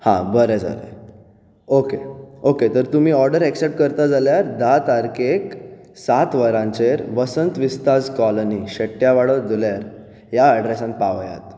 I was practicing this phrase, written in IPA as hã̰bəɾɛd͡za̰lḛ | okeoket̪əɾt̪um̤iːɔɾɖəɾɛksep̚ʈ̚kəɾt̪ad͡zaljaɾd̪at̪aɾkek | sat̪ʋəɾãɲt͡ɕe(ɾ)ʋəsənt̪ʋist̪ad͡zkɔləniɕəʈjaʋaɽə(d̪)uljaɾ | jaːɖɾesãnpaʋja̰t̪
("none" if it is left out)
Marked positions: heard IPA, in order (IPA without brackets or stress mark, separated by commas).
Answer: ɾ, d̪